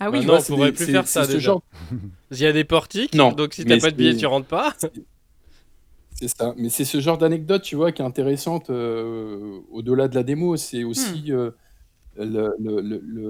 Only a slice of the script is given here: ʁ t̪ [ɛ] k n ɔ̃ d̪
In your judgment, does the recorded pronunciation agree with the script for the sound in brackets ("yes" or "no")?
no